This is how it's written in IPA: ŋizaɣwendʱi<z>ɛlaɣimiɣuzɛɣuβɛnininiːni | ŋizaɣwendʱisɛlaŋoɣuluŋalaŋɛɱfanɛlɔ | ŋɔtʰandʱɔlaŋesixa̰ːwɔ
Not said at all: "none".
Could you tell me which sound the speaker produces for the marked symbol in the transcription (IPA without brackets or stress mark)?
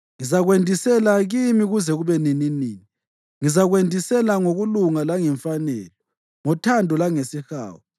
s